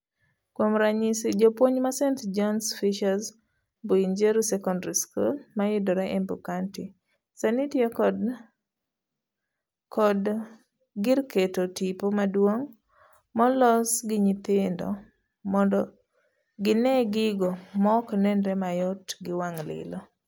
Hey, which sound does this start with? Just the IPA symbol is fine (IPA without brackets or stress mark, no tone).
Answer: k